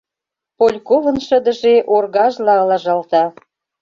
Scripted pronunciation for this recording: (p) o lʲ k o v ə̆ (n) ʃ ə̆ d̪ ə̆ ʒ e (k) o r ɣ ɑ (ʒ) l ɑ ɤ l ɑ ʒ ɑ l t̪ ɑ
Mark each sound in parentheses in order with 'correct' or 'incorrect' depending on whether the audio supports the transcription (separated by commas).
correct, correct, incorrect, correct